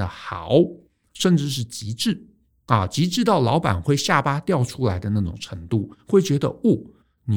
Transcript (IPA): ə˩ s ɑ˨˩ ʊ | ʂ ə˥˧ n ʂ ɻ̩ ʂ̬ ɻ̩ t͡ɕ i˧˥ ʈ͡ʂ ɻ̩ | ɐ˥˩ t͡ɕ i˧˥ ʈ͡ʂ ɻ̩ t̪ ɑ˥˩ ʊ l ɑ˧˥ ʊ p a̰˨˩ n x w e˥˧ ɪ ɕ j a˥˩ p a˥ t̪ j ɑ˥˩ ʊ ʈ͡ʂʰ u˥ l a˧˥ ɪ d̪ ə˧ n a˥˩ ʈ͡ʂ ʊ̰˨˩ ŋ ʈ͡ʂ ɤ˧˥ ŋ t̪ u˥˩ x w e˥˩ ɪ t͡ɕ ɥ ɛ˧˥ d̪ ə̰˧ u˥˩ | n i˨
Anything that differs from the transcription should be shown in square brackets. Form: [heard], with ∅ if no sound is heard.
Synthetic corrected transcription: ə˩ [x] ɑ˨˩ ʊ | ʂ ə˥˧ n [ʈ͡ʂ] ɻ̩ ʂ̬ ɻ̩ t͡ɕ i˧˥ ʈ͡ʂ ɻ̩ | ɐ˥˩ t͡ɕ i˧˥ ʈ͡ʂ ɻ̩ t̪ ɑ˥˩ ʊ l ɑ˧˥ ʊ p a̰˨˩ n x w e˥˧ ɪ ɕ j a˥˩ p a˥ t̪ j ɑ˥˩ ʊ ʈ͡ʂʰ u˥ l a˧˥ ɪ d̪ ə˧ n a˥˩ ʈ͡ʂ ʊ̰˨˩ ŋ [ʈ͡ʂʰ] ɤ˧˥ ŋ t̪ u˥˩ x w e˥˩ ɪ t͡ɕ ɥ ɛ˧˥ d̪ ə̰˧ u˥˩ | n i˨